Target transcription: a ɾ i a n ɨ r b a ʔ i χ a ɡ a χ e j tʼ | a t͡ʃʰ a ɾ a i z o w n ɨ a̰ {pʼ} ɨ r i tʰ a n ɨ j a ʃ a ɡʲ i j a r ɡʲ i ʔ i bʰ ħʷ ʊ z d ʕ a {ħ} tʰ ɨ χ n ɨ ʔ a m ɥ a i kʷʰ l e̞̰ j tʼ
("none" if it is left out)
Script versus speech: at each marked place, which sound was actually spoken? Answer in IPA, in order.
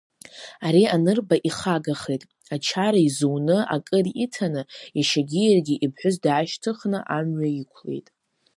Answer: kʼ, ʃ

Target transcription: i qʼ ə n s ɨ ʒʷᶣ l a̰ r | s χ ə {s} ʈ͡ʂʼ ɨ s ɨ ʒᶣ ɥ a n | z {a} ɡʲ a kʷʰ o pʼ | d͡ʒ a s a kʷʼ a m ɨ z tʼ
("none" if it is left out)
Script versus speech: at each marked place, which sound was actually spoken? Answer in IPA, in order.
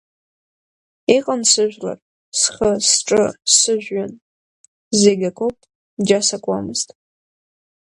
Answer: s, e

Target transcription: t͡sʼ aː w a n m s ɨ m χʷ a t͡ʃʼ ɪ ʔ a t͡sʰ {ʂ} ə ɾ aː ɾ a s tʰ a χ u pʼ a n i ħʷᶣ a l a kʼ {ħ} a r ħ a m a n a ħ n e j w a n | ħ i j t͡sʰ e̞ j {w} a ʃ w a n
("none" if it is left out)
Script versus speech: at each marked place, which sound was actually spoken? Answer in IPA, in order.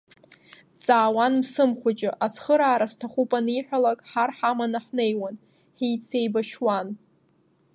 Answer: χ, ħ, b

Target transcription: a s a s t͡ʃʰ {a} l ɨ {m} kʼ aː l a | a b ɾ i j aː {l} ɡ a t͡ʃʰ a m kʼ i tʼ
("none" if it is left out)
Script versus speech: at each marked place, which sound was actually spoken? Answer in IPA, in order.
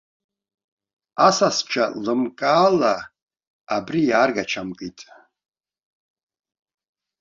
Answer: a, m, r

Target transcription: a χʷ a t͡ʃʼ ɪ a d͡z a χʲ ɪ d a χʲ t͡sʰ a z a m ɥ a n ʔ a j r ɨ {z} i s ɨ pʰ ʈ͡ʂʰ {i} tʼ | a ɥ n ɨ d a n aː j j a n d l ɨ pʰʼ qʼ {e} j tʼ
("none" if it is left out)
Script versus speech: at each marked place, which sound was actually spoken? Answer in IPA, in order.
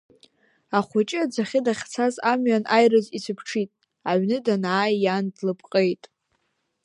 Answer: z, i, e

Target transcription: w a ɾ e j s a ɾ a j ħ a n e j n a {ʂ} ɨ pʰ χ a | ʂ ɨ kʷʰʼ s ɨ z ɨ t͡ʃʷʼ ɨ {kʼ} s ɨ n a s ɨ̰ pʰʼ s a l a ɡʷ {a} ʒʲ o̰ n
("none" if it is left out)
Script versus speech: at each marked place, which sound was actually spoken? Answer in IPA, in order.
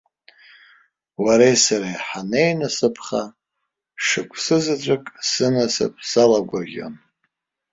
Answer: s, kʼ, a

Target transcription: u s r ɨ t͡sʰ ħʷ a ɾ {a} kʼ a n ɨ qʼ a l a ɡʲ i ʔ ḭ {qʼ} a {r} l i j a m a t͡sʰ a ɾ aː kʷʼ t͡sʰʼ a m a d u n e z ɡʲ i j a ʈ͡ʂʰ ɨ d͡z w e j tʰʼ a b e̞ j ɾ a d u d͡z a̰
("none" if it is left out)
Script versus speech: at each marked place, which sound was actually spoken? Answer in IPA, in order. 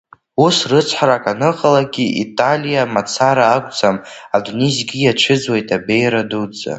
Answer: a, tʼ, none

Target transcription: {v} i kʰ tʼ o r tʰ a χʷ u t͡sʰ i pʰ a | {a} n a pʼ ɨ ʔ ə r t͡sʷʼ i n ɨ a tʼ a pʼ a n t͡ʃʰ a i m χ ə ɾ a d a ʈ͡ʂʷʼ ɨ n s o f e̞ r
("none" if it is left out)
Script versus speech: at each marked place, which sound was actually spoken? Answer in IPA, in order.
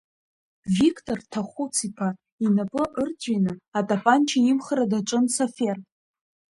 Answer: v, i

